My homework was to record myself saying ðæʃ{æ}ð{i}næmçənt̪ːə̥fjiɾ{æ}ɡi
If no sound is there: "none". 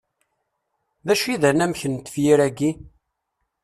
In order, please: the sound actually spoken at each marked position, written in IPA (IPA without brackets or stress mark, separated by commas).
i, æ, æ